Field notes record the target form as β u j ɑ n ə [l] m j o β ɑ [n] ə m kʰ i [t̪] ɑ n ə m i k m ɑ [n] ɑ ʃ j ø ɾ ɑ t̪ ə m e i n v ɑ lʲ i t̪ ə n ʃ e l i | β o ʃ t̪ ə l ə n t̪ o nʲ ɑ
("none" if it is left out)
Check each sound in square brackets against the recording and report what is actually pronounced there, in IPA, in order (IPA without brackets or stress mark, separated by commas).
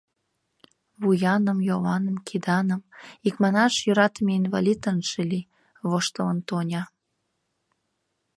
none, n, d̪, n